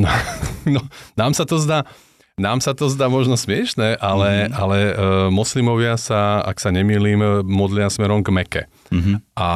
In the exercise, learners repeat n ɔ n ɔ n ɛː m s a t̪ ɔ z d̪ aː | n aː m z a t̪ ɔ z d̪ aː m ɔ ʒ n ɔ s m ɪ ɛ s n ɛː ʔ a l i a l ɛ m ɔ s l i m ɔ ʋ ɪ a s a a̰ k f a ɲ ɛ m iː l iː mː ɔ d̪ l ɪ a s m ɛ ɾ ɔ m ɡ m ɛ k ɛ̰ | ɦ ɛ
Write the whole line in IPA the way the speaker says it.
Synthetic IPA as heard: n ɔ n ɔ n aː m s a t̪ ɔ z d̪ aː | n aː m s a t̪ ɔ z d̪ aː m ɔ ʒ n ɔ s m ɪ ɛ ʃ n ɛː ʔ a l ɛ a l ɛ m ɔ s l i m ɔ ʋ ɪ a s a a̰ k s a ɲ ɛ m iː l iː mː ɔ d̪ l ɪ a s m ɛ ɾ ɔ m ɡ m ɛ k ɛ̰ | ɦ a